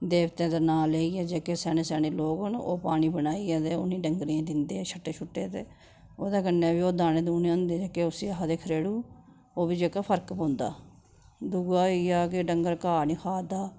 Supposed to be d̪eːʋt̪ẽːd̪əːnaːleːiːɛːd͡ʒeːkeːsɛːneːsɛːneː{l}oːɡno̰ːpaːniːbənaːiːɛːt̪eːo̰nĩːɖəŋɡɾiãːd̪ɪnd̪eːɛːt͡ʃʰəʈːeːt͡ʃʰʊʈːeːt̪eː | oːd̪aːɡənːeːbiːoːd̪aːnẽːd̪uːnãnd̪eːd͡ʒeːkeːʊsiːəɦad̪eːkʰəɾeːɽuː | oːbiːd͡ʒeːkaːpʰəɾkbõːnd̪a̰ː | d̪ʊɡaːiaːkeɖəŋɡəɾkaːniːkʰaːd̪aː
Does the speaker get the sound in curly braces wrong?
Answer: no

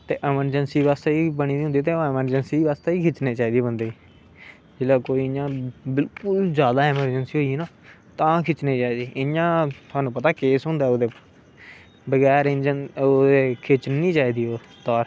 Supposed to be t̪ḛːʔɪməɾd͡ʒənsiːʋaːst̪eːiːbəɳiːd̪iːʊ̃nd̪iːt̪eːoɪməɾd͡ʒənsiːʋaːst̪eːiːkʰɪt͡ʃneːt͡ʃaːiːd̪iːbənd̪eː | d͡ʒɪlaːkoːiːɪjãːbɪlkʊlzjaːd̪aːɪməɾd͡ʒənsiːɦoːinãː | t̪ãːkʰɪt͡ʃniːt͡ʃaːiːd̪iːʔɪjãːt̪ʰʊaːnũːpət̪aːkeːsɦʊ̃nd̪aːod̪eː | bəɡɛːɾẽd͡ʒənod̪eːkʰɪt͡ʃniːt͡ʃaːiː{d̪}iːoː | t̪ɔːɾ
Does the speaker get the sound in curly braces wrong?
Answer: no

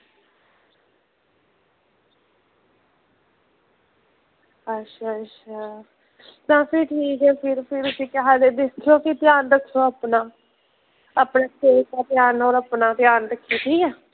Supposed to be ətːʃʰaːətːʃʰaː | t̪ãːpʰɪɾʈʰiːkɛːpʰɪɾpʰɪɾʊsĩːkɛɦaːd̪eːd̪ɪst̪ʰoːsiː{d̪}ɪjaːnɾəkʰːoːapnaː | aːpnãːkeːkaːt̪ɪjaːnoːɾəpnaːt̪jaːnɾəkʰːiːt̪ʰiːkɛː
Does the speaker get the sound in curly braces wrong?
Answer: yes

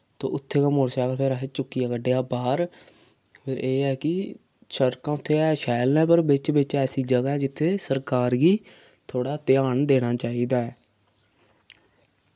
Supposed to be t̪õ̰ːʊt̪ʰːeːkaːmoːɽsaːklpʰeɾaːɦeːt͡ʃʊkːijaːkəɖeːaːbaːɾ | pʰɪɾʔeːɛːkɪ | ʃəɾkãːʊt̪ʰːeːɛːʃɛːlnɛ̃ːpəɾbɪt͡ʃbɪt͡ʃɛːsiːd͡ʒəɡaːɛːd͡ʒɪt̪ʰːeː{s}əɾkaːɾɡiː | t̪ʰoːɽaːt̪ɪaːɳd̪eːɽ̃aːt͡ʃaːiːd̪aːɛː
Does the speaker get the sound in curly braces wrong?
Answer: no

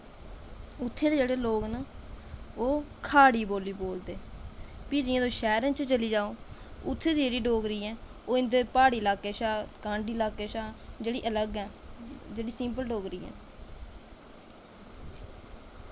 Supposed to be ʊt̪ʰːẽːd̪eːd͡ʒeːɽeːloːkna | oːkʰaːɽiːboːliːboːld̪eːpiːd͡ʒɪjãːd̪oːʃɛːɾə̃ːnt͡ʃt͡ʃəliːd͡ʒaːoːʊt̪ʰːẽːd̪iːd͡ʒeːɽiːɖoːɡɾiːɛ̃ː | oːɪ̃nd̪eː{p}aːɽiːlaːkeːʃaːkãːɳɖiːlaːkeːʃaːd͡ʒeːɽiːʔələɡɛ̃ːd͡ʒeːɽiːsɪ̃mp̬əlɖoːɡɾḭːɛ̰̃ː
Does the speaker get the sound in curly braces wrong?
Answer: no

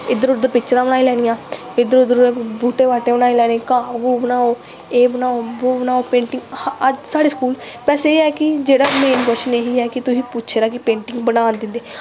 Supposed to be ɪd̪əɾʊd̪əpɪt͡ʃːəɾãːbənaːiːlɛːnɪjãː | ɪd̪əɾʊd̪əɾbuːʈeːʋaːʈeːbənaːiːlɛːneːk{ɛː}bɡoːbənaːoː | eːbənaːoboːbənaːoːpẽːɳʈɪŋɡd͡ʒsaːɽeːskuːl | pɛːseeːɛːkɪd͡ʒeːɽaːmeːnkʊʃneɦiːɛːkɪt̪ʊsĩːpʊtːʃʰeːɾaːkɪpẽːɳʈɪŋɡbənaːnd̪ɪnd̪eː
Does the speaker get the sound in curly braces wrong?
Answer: yes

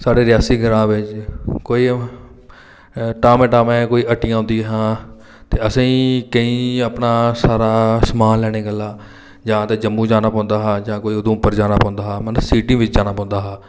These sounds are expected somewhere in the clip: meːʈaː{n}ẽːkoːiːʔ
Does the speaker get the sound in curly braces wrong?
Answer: yes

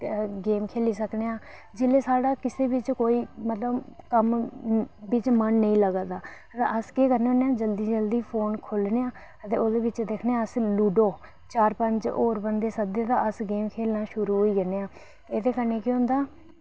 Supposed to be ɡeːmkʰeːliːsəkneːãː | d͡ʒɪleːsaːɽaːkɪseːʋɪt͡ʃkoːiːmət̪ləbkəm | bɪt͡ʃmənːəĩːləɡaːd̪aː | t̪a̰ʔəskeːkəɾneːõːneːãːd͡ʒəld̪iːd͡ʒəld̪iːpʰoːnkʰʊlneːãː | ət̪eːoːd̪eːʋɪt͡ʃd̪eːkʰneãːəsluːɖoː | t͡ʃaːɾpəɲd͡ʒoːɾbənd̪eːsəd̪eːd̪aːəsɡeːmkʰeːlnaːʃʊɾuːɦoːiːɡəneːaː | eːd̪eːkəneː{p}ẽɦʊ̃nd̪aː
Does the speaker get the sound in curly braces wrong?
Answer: yes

